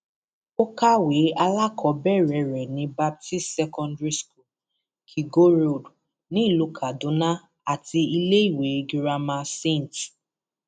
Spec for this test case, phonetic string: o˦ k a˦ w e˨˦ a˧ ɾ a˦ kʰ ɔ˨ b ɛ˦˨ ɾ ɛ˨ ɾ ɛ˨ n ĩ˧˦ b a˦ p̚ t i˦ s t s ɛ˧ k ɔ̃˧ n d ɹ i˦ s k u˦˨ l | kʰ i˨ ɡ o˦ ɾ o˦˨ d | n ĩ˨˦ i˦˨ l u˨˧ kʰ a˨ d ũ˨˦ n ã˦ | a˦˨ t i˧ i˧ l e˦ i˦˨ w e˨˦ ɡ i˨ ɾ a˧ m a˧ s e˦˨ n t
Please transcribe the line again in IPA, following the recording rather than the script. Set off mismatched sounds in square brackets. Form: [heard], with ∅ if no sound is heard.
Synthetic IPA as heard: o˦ k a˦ w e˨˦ a˧ [l] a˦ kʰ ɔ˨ b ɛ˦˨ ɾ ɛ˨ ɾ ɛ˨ n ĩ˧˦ b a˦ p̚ t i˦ s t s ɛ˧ k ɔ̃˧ n d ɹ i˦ s k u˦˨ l | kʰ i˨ ɡ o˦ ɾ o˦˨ d | n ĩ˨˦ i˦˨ l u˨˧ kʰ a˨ d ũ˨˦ n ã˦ | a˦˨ t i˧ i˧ l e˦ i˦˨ w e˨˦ ɡ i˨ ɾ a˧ m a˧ s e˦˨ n t